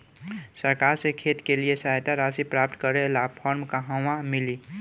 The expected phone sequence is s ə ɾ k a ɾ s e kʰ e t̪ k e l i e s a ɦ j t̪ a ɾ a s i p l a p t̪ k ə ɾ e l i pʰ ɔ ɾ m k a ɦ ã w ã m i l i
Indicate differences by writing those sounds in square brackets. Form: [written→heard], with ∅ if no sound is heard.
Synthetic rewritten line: s ə ɾ k a ɾ s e kʰ e t̪ k e l i e s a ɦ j t̪ a ɾ a s i p [l→ɾ] a p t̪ k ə ɾ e l [i→a] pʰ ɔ ɾ m k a ɦ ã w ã m i l i